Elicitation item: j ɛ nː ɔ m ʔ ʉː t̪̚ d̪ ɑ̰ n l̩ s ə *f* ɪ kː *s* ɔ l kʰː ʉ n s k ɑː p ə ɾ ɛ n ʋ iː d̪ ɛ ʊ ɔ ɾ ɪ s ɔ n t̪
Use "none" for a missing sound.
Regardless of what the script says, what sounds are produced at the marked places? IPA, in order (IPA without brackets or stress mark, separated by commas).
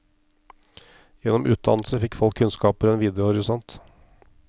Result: f, f